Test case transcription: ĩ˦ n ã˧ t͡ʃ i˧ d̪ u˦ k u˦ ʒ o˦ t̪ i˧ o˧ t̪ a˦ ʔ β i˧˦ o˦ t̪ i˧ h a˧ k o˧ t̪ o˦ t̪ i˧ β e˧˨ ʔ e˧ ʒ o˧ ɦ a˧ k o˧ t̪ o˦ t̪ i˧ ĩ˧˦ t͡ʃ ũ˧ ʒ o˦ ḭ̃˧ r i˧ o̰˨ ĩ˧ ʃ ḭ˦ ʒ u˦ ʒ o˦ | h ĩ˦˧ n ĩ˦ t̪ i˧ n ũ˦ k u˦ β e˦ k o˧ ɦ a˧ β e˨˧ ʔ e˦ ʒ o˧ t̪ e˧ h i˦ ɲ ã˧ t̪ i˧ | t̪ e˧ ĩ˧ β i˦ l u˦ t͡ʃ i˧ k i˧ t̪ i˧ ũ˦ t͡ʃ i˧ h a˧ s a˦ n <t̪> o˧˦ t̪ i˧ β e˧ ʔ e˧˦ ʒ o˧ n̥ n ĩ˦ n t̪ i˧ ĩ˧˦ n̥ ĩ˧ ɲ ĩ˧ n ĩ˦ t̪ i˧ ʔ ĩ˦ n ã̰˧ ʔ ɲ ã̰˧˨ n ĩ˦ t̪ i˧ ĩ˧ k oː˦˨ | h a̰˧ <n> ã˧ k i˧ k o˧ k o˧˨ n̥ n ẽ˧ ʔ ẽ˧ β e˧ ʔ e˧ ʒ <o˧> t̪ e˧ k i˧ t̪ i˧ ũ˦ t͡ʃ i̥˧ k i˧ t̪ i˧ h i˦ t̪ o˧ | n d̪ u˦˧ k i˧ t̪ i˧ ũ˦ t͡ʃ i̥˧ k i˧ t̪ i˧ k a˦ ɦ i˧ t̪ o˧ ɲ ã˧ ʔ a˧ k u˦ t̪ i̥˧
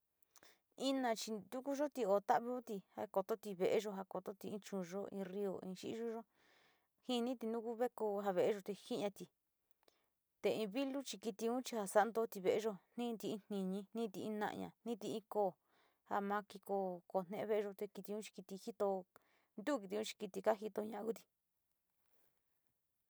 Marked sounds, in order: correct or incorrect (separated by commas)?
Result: incorrect, incorrect, correct